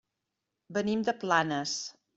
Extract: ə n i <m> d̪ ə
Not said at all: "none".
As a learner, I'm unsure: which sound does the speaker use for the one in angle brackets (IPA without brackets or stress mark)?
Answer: m